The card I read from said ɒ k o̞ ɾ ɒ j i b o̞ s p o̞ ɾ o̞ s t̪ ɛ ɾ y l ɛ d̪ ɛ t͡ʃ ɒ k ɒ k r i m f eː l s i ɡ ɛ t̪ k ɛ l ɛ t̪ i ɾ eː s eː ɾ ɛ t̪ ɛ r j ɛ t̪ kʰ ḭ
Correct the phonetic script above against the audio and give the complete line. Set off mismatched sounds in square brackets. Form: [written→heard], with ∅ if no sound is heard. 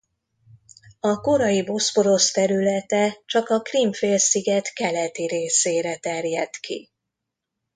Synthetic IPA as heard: ɒ k o̞ ɾ ɒ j i b o̞ s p o̞ ɾ o̞ s t̪ ɛ ɾ y l ɛ [d̪→t̪] ɛ t͡ʃ ɒ k ɒ k r i m f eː l s i ɡ ɛ t̪ k ɛ l ɛ t̪ i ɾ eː s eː ɾ ɛ t̪ ɛ r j ɛ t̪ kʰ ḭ